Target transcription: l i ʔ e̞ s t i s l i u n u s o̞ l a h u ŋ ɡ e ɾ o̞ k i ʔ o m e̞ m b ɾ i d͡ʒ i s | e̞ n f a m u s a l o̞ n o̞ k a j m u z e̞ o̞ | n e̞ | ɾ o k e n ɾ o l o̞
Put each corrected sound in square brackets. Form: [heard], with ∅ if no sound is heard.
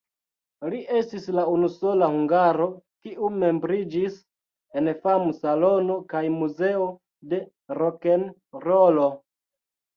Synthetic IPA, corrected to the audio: l i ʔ e̞ s t i s l [a] u n u s o̞ l a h u ŋ ɡ [a] ɾ o̞ k i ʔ [u] m e̞ m b ɾ i d͡ʒ i s | e̞ n f a m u s a l o̞ n o̞ k a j m u z e̞ o̞ | [d] e̞ | ɾ o k e n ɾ o l o̞

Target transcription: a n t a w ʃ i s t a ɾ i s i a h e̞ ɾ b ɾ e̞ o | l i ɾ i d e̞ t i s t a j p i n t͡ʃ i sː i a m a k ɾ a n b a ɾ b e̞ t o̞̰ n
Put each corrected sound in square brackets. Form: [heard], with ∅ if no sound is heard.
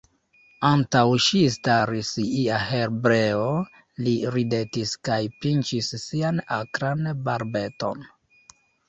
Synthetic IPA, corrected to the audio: a n t a w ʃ i s t a ɾ i s i a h e̞ ɾ b ɾ e̞ o | l i ɾ i d e̞ t i s [k] a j p i n t͡ʃ i sː i a [n] a k ɾ a n b a ɾ b e̞ t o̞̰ n

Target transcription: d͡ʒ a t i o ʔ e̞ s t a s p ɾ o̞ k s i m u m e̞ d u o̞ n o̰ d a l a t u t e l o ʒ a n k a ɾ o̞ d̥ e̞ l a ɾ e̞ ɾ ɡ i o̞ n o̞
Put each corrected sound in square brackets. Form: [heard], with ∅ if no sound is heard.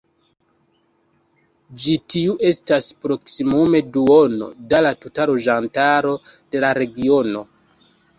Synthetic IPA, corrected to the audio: d͡ʒ [i] t i [u] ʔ e̞ s t a s p ɾ o̞ k s i m u m e̞ d u o̞ n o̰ d a l a t u t [a] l o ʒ a n [t] a ɾ o̞ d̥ e̞ l a ɾ e̞ [∅] ɡ i o̞ n o̞

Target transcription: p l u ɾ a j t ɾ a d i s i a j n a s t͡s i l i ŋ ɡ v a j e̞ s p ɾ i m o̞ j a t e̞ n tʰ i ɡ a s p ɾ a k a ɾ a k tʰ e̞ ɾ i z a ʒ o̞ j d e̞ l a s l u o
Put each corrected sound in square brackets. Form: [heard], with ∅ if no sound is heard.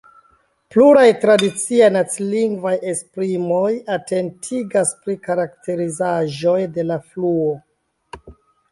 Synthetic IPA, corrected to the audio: p l u ɾ a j t ɾ a d i [t͡s] i a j n a [∅] t͡s i l i ŋ ɡ v a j e̞ s p ɾ i m o̞ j a t e̞ n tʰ i ɡ a s p ɾ [i] k a ɾ a k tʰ e̞ ɾ i z a ʒ o̞ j d e̞ l a [f] l u o

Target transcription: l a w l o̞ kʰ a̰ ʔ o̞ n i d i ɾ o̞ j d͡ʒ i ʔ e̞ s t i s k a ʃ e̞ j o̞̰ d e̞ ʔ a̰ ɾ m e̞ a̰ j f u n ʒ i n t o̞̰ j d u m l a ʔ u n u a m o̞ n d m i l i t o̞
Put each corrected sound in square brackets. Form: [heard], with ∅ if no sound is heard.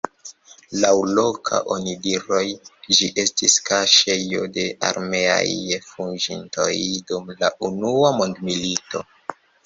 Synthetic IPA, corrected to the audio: l a w l o̞ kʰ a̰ ʔ o̞ n i d i ɾ o̞ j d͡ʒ i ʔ e̞ s t i s k a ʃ e̞ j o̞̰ d e̞ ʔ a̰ ɾ m e̞ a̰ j f u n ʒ i n t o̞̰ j d u m l a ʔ u n u a m o̞ n d m i l i t o̞

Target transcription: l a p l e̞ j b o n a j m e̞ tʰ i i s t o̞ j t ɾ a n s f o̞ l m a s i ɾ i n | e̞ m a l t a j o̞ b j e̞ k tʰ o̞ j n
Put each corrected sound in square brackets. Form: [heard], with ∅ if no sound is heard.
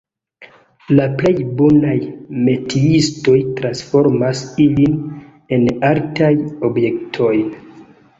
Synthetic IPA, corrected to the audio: l a p l e̞ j b o n a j m e̞ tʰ i i s t o̞ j t ɾ a n s f o̞ [ɾ] m a s i [l] i n | e̞ [n] a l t a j o̞ b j e̞ k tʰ o̞ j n

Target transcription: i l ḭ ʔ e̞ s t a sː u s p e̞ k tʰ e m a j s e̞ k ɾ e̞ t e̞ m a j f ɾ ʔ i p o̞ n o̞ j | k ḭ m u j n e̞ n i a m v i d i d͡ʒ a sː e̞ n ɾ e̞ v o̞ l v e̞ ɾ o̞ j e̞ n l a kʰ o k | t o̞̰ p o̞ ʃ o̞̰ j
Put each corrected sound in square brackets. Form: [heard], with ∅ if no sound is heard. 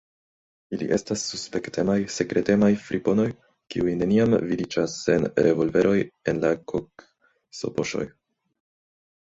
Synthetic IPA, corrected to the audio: i l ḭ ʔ e̞ s t a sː u s p e̞ k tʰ e m a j s e̞ k ɾ e̞ t e̞ m a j f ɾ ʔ i p o̞ n o̞ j | k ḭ [∅] u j n e̞ n i a m v i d i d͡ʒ a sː e̞ n ɾ e̞ v o̞ l v e̞ ɾ o̞ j e̞ n l a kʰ o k | [s] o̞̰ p o̞ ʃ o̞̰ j

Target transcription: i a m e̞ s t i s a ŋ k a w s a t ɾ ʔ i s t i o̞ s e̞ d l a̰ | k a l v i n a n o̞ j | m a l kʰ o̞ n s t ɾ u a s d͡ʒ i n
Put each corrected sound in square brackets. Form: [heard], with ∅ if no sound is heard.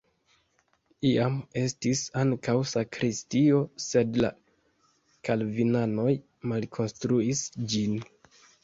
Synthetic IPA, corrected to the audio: i a m e̞ s t i s a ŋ k a w s a [k] ɾ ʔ i s t i o̞ s e̞ d l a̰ | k a l v i n a n o̞ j | m a l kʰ o̞ n s t ɾ u [i] s d͡ʒ i n

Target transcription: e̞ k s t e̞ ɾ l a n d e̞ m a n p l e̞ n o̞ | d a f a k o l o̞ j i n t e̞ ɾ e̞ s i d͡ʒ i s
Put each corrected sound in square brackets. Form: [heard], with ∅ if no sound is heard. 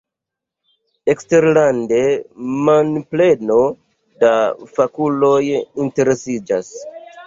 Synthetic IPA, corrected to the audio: e̞ k s t e̞ ɾ l a n d e̞ m a n p l e̞ n o̞ | d a f a k [u] l o̞ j i n t e̞ ɾ e̞ s i d͡ʒ [a] s

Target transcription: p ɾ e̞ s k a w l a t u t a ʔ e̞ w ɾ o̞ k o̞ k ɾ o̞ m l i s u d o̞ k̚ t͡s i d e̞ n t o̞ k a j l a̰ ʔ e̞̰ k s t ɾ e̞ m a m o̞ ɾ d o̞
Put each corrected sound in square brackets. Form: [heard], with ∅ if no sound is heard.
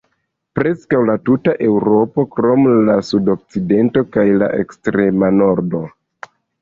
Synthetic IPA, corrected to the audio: p ɾ e̞ s k a w l a t u t a ʔ e̞ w ɾ o̞ [p] o̞ k ɾ o̞ m l [a] s u d o̞ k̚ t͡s i d e̞ n t o̞ k a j l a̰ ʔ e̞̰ k s t ɾ e̞ m a [n] o̞ ɾ d o̞

